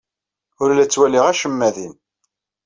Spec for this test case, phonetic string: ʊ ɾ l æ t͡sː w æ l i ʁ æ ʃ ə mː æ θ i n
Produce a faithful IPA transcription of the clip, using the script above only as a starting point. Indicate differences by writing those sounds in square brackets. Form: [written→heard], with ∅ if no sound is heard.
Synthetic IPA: ʊ ɾ l æ t͡sː w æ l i ʁ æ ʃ ə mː æ [θ→ð] i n